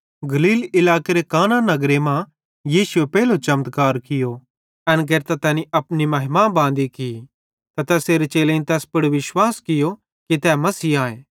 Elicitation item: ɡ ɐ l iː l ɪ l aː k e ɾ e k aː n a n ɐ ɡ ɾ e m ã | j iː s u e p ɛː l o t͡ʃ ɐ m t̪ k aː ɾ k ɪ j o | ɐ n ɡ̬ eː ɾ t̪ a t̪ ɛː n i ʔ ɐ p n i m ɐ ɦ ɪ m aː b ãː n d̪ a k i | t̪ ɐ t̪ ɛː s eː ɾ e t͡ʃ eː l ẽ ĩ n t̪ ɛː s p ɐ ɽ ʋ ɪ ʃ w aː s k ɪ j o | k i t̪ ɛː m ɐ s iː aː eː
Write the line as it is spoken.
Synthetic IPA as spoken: ɡ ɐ l iː l ɪ l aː k e ɾ e k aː n a n ɐ ɡ ɾ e m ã | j iː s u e p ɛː l o t͡ʃ ɐ m t̪ k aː ɾ k ɪ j o | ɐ n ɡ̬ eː ɾ t̪ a t̪ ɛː n i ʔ ɐ p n i m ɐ ɦ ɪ m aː b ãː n d̪ i k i | t̪ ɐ t̪ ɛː s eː ɾ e t͡ʃ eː l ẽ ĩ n t̪ ɛː s p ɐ ɽ ʋ ɪ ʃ w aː s k ɪ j o | k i t̪ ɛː m ɐ s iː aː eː